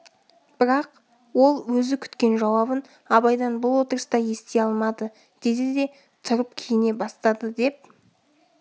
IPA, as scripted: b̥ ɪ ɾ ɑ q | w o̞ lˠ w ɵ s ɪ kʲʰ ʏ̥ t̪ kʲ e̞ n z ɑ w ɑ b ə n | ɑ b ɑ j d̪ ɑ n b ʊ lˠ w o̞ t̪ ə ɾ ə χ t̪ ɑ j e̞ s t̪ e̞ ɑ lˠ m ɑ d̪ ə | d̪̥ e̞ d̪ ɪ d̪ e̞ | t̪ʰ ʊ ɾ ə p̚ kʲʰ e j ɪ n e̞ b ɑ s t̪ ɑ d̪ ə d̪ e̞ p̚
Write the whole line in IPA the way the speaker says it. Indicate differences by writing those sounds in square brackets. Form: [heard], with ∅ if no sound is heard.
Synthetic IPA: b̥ ɪ ɾ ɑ q | w o̞ lˠ w ɵ [z] ɪ kʲʰ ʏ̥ t̪ kʲ e̞ n [ʒ] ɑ w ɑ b ə n | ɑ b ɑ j d̪ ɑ n b ʊ lˠ w o̞ t̪ ə ɾ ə [s] t̪ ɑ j e̞ s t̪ e̞ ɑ lˠ m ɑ d̪ ə | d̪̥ e̞ d̪ ɪ d̪ e̞ | t̪ʰ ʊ ɾ ə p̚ kʲʰ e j ɪ n e̞ b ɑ s t̪ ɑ d̪ ə d̪ e̞ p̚